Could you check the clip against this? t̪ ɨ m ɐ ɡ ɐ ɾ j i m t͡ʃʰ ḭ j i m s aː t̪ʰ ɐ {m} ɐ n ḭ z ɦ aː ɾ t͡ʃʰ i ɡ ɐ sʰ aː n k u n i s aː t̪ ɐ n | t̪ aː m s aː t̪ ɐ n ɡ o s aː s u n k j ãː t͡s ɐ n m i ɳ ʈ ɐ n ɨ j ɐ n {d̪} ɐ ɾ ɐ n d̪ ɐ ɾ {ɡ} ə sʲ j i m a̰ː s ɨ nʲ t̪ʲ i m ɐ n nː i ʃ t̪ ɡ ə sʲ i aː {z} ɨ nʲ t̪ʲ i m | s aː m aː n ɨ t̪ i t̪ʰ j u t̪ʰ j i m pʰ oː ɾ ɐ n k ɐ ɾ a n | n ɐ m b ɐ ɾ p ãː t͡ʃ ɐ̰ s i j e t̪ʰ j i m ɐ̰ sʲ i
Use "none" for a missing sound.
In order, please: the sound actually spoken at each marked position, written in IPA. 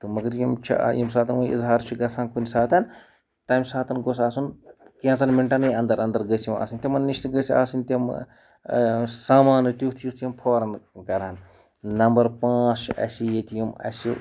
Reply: n, d̪, ɡ, s

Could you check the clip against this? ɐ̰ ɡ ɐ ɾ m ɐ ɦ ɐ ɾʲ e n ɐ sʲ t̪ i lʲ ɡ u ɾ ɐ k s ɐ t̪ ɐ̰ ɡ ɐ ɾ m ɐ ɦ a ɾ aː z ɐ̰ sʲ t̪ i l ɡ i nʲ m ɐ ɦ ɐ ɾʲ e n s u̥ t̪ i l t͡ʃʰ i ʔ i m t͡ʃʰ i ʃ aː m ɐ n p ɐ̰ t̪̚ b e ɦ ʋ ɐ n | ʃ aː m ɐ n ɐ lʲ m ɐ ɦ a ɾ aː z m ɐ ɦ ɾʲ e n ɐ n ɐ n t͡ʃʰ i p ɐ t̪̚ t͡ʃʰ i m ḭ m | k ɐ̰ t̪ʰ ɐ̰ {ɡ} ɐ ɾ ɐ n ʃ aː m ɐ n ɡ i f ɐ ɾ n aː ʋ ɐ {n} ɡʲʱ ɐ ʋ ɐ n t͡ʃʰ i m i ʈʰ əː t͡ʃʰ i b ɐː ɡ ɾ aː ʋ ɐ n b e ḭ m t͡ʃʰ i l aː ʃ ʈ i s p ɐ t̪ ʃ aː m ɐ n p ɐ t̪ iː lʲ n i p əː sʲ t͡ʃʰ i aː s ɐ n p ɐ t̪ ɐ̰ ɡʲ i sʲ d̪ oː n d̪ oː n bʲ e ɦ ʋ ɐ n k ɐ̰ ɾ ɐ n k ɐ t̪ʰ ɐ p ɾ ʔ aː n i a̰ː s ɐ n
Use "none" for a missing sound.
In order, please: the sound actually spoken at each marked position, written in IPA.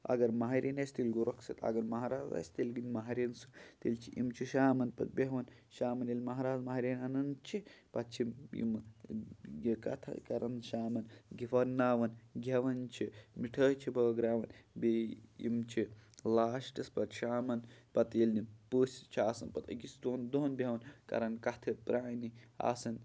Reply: k, n

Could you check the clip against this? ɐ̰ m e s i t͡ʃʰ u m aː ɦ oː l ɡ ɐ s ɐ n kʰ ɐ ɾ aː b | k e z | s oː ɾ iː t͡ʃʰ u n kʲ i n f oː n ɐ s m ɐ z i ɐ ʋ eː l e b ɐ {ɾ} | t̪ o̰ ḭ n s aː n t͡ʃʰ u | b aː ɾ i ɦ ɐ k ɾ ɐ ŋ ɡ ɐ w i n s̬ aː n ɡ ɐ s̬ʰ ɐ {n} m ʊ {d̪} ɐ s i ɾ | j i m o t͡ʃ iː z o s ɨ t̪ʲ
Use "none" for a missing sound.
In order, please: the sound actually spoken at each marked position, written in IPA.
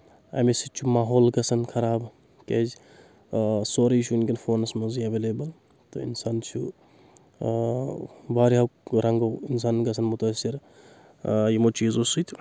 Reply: l, n, t̪

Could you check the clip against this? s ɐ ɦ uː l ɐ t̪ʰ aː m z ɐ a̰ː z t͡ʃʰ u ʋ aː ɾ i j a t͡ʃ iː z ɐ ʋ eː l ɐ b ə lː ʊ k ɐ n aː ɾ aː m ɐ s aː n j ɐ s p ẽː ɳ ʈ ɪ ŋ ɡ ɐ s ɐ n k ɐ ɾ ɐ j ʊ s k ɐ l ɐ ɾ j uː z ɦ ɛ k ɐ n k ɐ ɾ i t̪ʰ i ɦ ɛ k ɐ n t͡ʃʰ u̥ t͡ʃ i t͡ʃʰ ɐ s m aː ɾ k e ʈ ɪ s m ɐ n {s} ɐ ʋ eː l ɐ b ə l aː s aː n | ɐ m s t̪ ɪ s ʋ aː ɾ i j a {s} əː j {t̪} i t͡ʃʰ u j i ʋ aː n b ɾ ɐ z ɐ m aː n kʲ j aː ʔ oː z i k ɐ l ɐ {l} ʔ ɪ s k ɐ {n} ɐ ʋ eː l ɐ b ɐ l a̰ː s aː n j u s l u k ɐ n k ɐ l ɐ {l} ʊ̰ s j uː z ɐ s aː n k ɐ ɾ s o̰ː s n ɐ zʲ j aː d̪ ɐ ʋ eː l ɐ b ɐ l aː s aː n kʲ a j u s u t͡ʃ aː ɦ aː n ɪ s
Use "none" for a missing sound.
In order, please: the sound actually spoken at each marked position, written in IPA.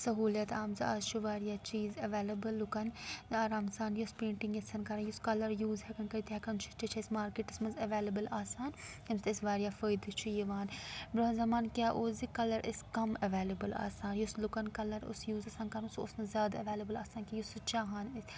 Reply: z, f, d̪, ɾ, m, ɾ

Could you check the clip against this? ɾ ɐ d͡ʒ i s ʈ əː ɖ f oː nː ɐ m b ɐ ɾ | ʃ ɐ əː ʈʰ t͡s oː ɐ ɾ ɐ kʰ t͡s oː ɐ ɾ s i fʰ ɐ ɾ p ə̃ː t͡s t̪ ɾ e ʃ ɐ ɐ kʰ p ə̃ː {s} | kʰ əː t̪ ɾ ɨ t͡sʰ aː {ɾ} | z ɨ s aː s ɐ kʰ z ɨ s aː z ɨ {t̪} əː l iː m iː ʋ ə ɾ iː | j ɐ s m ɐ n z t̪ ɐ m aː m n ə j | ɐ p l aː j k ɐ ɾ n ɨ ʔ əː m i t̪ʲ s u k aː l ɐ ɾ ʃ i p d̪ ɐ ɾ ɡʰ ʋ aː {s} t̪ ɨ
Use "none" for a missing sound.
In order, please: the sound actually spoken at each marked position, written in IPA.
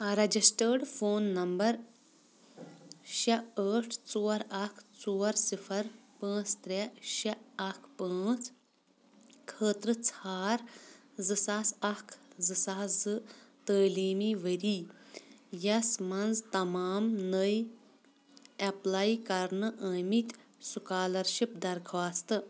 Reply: t͡s, ɾ, t̪, s

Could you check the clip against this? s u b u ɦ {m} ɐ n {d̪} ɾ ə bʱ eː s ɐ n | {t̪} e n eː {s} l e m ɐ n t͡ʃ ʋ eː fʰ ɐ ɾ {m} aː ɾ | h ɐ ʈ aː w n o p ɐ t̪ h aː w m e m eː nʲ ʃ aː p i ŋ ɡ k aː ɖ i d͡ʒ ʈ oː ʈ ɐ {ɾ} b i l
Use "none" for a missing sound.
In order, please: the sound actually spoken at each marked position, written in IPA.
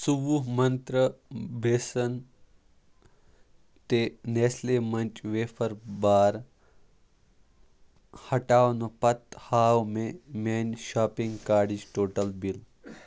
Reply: m, t̪, t̪, s, b, l

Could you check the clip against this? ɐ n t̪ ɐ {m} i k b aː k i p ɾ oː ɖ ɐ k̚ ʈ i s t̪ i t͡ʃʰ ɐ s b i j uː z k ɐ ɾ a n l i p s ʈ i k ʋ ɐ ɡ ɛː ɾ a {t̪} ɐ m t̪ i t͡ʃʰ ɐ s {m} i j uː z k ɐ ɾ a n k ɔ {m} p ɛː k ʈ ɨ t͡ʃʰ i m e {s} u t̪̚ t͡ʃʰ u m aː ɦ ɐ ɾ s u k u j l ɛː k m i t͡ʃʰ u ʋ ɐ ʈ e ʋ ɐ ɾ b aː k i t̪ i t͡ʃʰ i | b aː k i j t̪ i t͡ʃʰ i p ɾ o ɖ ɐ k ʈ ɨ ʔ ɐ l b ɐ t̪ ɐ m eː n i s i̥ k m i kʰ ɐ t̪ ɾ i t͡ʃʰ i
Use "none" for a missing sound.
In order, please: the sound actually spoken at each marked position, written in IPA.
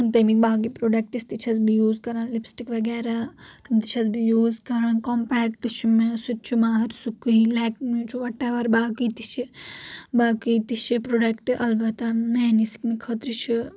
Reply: m, t̪, b, m, s

